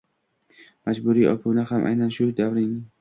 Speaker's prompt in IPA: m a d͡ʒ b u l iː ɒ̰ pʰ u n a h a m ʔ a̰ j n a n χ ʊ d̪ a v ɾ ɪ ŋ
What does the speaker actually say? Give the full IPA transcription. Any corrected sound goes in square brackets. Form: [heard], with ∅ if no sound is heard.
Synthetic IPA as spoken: m a d͡ʒ b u [ɾ] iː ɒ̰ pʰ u n a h a m ʔ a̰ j n a n [ʃ] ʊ d̪ a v ɾ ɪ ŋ